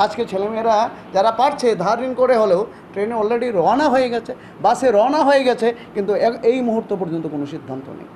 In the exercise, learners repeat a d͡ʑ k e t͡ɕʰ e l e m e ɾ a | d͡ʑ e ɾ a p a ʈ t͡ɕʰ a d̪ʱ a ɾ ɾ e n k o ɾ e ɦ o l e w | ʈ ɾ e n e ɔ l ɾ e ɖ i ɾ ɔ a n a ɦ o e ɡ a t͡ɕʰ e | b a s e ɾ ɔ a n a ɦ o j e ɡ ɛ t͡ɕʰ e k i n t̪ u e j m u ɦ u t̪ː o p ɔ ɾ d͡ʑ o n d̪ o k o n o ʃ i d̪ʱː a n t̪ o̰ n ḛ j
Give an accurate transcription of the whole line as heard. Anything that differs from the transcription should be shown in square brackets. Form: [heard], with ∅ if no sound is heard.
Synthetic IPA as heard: a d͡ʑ k e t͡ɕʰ e l e m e ɾ a | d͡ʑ [a] ɾ a p a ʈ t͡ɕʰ [e] d̪ʱ a ɾ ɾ [i] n k o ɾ e ɦ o l e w | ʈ ɾ e n e ɔ l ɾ e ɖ i ɾ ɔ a n a ɦ o e ɡ [ɛ] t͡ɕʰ e | b a s e ɾ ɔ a n a ɦ o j e ɡ ɛ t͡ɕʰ e k i n t̪ u e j m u ɦ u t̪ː o p ɔ ɾ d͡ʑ o n [t̪] o k o n o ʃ i d̪ʱː a n t̪ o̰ n ḛ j